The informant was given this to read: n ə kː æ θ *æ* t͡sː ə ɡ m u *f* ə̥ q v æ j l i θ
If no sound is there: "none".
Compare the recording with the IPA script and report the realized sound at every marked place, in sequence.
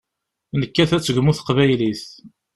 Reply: æ, θ

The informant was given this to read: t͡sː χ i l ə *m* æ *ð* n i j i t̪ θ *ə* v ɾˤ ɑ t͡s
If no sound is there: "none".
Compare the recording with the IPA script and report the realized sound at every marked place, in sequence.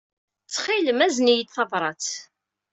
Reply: m, z, ɑ

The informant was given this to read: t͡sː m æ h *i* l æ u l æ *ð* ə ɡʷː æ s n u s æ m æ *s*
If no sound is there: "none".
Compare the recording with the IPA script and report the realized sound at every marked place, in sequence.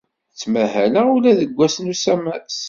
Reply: æ, ð, s

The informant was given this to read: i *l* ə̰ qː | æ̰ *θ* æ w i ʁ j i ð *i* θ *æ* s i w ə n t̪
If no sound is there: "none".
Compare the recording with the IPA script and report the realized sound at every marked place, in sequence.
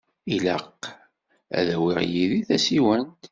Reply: l, ð, i, æ

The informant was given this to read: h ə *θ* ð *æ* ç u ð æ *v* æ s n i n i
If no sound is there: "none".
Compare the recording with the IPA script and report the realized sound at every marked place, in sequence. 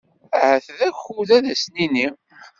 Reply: θ, æ, ð

